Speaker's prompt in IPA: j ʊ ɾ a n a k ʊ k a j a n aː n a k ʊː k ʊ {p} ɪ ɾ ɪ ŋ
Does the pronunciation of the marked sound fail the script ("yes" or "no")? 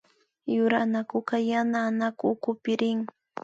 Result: no